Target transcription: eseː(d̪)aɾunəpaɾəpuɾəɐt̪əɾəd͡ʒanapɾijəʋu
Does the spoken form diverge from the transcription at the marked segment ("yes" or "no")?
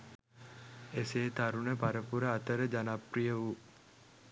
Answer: yes